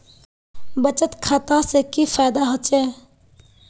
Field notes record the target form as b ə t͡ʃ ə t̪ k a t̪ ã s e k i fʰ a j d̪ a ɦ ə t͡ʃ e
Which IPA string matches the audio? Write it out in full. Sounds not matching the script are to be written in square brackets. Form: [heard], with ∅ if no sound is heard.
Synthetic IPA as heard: b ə t͡ʃ ə t̪ [kʰ] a t̪ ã s e k i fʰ a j d̪ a ɦ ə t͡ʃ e